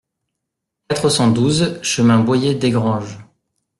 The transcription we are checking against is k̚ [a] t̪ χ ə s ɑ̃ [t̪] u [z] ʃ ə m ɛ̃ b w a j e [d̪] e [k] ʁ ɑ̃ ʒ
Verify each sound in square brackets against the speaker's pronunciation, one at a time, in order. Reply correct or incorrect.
correct, incorrect, correct, correct, incorrect

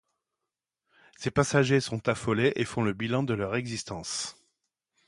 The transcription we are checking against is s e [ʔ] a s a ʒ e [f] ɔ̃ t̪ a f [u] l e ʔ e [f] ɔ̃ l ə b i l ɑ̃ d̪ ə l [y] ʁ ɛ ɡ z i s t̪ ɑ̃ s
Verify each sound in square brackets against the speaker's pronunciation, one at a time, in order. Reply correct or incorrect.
incorrect, incorrect, incorrect, correct, incorrect

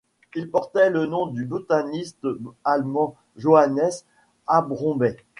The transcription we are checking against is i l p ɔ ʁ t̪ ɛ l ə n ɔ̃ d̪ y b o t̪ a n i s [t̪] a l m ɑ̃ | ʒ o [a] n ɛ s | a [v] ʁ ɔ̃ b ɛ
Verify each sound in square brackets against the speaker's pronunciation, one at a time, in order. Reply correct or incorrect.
correct, correct, incorrect

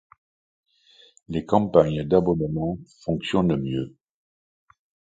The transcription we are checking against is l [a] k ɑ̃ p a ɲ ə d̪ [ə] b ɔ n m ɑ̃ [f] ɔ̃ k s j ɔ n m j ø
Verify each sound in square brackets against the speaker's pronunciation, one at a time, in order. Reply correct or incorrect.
incorrect, incorrect, correct

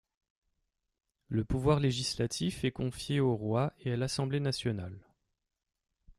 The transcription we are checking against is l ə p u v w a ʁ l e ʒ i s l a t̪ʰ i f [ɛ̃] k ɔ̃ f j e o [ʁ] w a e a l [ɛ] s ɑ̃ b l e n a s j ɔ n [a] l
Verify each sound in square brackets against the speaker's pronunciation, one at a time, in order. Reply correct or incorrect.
incorrect, correct, incorrect, correct

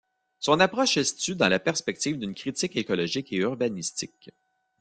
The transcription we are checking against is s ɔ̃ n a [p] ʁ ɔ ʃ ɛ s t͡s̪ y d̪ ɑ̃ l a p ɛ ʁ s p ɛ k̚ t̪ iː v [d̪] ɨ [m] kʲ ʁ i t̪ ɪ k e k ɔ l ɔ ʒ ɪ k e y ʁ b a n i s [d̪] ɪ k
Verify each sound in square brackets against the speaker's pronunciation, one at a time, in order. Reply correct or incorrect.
correct, correct, incorrect, incorrect

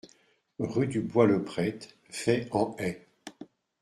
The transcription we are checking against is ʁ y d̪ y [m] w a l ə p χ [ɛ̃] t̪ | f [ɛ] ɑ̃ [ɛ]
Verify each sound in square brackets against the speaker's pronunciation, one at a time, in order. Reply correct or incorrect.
incorrect, incorrect, correct, correct

